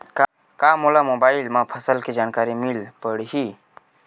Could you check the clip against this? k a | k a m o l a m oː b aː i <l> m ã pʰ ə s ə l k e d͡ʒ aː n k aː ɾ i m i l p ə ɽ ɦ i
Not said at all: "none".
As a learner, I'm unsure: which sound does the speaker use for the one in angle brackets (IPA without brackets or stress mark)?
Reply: l